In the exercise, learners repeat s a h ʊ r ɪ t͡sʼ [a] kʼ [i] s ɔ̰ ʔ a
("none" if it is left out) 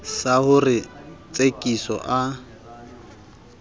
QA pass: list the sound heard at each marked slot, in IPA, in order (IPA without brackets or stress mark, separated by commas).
e, i